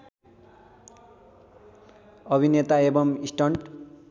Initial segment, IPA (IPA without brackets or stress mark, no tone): ʌ